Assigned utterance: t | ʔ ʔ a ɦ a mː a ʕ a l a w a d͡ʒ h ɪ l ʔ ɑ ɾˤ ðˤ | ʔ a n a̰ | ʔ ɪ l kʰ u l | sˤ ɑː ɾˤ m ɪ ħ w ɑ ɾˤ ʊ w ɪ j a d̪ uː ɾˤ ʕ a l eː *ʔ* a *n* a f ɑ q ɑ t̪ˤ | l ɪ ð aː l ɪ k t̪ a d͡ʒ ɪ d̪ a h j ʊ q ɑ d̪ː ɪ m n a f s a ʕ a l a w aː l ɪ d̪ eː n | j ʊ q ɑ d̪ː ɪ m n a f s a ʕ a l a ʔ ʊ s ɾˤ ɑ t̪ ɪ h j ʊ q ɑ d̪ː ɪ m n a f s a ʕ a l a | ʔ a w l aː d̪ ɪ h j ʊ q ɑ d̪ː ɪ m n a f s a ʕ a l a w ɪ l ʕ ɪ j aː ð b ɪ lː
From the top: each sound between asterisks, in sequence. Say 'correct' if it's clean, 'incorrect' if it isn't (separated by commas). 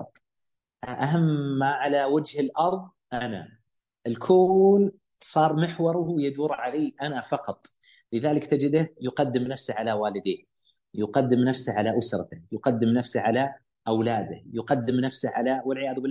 correct, correct